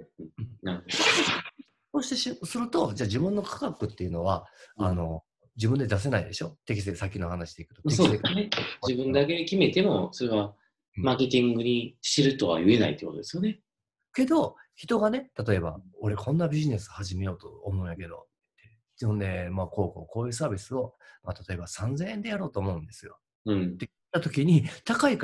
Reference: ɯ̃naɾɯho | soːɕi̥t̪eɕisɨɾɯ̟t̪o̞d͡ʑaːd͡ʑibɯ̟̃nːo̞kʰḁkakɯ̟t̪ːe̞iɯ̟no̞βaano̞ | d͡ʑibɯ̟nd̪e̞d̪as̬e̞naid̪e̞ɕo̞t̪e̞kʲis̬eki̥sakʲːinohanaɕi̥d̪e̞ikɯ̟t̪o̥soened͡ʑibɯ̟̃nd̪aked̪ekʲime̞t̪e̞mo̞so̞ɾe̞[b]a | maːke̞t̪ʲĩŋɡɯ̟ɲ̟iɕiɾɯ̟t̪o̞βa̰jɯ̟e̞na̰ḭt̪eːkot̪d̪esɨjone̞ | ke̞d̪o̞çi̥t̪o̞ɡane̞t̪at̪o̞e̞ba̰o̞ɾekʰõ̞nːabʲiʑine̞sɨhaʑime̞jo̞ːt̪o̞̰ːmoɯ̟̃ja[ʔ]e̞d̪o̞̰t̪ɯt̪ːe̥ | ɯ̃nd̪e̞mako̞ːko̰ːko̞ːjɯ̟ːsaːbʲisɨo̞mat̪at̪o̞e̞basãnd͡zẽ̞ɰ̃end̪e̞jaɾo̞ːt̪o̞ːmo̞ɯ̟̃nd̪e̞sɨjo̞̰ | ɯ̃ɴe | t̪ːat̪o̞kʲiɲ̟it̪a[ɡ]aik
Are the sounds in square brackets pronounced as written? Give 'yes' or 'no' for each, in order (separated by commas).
no, no, no